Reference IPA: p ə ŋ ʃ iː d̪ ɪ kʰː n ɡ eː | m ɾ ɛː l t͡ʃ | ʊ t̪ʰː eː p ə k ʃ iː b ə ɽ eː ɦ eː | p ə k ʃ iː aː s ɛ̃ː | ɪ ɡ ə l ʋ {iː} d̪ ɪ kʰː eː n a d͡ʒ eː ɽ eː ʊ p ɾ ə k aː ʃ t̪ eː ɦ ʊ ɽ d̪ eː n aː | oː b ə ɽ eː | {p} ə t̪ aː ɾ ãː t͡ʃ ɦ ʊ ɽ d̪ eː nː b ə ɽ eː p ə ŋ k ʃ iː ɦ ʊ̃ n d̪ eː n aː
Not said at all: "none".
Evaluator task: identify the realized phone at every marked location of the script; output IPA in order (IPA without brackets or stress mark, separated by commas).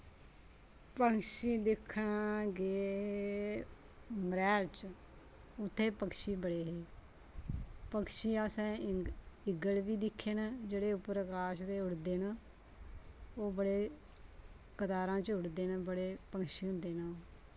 iː, k